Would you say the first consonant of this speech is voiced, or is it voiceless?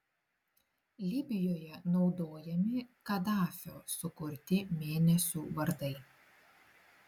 voiced